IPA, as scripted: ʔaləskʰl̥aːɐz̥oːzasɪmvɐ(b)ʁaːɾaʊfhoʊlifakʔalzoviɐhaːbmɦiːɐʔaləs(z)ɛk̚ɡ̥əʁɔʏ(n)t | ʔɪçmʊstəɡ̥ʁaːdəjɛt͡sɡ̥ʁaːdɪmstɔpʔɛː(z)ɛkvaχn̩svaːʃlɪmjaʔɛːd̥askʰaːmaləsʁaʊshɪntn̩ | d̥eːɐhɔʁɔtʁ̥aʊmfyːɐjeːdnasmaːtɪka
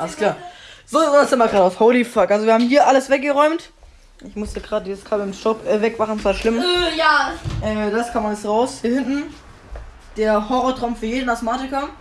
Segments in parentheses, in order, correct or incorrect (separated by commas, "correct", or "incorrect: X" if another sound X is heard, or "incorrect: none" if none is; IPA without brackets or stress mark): incorrect: ɡ, incorrect: v, incorrect: m, incorrect: v